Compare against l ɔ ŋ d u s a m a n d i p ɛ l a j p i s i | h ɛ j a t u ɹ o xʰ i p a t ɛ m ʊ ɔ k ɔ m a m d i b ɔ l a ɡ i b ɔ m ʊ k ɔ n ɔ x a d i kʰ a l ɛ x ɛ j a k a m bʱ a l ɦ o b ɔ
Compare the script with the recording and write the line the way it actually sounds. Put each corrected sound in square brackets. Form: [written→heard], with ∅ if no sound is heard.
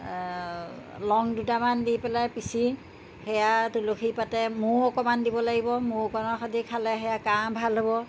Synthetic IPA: l ɔ ŋ d u [s→t] a m a n d i p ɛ l a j p i s i | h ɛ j a t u [ɹ→l] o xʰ i p a t ɛ m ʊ ɔ k ɔ m a [m→n] d i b ɔ l a ɡ i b ɔ m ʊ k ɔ n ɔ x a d i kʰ a l ɛ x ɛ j a k a m bʱ a l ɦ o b ɔ